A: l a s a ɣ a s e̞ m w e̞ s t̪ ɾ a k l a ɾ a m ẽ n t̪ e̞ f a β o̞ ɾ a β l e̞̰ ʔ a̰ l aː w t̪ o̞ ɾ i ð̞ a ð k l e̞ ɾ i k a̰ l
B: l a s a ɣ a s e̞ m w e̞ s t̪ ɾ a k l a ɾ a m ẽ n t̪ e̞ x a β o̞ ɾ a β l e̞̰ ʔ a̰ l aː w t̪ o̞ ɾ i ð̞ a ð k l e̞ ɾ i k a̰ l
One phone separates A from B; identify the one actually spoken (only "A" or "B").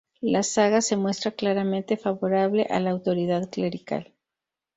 A